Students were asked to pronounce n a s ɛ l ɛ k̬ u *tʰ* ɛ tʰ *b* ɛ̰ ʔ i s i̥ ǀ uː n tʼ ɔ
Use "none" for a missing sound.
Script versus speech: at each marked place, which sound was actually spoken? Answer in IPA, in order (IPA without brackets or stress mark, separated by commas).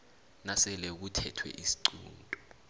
tʰ, w